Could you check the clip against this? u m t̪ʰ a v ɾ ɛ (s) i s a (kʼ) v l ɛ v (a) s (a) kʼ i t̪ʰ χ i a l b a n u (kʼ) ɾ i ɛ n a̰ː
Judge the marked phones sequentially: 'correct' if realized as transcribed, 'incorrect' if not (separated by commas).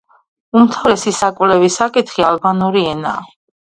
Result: correct, correct, incorrect, correct, incorrect